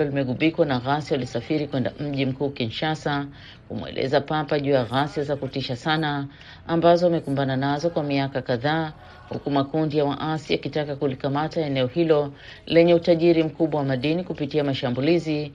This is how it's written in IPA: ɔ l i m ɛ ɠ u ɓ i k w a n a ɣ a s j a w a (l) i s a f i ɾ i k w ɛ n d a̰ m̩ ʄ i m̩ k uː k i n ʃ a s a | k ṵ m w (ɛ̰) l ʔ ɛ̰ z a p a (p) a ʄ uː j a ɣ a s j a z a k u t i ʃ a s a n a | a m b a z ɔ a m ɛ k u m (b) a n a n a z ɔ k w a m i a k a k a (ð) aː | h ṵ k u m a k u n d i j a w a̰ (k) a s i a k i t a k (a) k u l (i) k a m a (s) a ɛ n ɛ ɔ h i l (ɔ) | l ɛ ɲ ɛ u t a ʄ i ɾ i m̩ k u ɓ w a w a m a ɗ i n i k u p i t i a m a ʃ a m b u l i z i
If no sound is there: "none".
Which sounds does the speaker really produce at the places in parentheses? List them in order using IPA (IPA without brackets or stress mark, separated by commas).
l, ɛ̰, p, b, ð, ʔ, a, i, t, ɔ